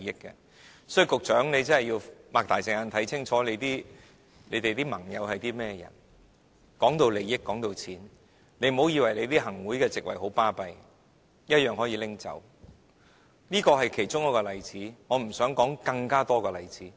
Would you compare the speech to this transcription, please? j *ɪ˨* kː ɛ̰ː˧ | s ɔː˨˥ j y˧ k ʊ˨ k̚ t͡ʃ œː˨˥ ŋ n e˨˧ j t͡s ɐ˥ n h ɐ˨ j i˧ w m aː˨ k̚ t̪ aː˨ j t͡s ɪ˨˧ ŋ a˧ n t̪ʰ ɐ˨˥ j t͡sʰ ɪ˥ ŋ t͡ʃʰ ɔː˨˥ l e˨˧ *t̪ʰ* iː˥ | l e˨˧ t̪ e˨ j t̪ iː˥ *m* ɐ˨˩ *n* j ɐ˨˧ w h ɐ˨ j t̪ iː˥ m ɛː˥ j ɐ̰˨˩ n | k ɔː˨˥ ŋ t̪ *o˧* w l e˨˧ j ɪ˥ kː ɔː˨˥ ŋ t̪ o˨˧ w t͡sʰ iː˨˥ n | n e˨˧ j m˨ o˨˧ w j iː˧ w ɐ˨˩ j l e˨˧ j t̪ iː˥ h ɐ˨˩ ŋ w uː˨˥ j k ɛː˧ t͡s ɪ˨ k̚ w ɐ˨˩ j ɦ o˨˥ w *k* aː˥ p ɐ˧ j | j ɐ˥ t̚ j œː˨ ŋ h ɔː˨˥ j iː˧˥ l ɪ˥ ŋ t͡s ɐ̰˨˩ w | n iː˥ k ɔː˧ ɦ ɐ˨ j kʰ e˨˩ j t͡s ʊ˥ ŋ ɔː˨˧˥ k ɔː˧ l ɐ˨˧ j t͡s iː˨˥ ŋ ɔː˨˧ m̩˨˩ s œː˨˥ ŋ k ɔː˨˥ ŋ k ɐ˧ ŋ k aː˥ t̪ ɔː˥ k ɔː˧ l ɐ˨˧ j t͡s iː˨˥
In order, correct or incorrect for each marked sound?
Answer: incorrect: ɪ˥, incorrect: t̪, correct, incorrect: ŋ, correct, incorrect: p

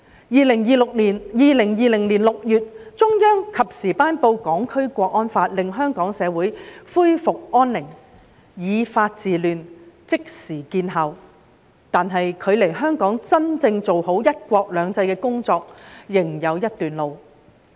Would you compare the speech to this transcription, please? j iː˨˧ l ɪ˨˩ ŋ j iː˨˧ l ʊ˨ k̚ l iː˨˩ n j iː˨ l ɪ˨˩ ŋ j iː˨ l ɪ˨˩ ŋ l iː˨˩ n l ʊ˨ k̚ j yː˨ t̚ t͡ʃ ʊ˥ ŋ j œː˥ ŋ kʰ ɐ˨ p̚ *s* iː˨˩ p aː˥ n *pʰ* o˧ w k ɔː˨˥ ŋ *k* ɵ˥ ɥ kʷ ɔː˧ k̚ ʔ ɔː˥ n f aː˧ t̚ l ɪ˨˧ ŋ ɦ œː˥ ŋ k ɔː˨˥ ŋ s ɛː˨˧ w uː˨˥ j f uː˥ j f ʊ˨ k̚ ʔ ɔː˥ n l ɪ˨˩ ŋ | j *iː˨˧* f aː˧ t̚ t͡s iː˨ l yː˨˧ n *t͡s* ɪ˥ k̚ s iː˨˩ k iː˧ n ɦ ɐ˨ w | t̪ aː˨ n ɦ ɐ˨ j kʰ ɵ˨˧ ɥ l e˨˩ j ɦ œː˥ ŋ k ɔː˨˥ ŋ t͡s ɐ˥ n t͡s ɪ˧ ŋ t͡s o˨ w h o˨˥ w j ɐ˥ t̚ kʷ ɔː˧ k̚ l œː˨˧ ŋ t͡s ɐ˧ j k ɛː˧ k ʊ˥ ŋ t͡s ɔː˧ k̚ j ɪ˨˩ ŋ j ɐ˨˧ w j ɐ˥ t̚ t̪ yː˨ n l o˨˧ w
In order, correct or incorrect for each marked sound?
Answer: correct, incorrect: p, incorrect: kʰ, correct, correct

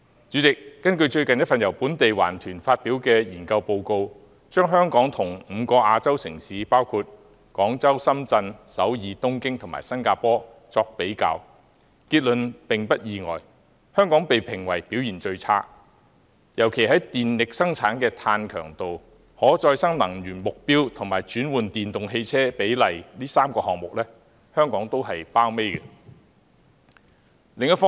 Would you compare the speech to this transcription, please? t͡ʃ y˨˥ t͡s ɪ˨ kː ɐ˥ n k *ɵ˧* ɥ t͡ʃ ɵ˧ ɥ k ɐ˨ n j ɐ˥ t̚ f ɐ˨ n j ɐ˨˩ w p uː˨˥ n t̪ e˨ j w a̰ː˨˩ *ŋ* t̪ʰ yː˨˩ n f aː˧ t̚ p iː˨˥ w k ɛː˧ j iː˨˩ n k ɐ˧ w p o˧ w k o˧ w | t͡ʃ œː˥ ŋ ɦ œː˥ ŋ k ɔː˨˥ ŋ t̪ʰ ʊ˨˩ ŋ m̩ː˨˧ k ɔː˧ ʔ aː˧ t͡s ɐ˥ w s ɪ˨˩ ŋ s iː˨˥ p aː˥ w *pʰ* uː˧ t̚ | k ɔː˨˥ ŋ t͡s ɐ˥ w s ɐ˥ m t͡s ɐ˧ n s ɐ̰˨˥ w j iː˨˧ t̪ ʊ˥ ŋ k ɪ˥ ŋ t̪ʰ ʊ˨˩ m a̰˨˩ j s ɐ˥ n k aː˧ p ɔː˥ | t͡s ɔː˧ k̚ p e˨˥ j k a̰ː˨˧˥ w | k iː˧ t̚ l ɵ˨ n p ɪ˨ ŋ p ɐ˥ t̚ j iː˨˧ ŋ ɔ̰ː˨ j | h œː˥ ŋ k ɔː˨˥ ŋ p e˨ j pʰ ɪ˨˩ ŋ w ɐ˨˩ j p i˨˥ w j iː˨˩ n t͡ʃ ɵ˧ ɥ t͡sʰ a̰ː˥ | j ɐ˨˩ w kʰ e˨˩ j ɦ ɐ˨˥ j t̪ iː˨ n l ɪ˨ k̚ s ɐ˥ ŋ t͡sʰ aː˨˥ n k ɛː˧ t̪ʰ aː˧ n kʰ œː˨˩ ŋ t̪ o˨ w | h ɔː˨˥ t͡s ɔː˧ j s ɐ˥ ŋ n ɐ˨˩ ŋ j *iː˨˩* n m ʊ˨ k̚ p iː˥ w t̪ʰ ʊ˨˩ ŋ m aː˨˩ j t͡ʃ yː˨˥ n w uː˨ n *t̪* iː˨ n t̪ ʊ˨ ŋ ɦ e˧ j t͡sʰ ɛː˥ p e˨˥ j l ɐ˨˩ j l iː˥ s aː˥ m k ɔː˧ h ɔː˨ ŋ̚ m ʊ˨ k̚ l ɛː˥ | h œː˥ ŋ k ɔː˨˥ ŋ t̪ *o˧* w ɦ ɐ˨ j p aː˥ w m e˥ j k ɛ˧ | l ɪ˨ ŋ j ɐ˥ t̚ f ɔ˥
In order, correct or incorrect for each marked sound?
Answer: correct, incorrect: n, incorrect: kʰ, incorrect: yː˨˩, correct, incorrect: o˥

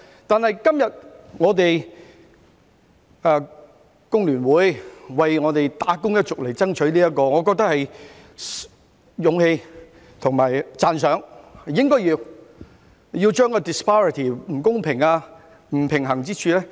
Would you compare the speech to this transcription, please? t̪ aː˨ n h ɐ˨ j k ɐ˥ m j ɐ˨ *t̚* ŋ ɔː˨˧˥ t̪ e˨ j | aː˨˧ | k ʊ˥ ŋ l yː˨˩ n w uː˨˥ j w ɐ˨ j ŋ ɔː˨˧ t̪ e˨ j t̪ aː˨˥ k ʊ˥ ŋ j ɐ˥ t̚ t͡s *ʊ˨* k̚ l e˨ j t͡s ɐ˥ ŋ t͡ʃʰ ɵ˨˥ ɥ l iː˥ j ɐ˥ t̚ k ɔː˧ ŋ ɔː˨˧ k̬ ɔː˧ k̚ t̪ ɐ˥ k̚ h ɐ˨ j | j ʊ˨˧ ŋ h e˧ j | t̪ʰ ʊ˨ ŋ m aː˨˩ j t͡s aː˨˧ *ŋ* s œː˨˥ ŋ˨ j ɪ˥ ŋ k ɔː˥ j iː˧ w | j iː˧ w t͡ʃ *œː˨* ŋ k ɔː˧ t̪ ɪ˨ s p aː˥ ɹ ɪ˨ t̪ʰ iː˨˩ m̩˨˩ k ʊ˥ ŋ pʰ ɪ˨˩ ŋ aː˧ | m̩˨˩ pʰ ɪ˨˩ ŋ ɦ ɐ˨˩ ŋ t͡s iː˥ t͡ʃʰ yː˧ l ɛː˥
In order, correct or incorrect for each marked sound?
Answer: correct, correct, incorrect: n, incorrect: œː˥

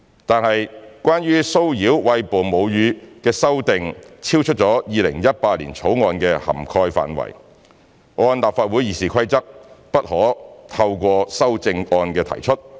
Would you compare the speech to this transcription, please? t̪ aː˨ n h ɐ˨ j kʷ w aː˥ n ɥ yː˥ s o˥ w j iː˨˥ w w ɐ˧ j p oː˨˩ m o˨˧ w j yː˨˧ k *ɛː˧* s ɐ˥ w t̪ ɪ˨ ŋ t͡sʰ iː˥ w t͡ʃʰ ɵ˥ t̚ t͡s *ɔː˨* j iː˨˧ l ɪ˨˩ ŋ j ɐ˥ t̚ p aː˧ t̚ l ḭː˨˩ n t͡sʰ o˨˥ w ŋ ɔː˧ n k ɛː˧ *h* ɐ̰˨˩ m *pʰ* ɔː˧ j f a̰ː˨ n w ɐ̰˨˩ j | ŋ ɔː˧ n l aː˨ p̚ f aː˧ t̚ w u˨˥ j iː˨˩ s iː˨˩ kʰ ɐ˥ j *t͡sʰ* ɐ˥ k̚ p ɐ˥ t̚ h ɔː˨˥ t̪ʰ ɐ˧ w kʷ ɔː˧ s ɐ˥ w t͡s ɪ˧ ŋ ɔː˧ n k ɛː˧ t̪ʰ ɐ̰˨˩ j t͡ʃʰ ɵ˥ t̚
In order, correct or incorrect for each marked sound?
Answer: correct, incorrect: ɔː˨˥, correct, incorrect: kʰ, incorrect: t͡s

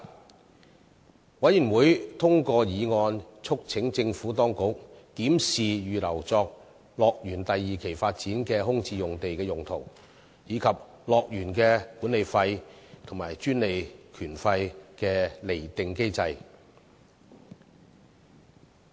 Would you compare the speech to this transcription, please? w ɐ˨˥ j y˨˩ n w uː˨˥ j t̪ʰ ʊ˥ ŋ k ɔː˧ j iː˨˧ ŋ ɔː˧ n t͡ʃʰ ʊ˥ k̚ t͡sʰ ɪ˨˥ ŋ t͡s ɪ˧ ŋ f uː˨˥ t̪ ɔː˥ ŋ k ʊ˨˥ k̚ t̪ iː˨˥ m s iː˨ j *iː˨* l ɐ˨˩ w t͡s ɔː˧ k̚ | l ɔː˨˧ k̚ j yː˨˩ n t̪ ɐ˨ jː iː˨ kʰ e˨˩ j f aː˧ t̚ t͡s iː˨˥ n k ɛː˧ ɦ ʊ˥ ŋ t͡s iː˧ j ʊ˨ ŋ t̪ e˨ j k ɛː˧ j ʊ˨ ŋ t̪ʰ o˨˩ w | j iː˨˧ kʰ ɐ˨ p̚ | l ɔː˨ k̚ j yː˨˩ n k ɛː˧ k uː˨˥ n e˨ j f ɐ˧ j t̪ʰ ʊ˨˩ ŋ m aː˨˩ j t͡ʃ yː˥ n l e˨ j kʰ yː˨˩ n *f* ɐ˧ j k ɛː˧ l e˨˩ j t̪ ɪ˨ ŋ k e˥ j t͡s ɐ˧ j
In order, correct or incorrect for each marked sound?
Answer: incorrect: yː˨, correct

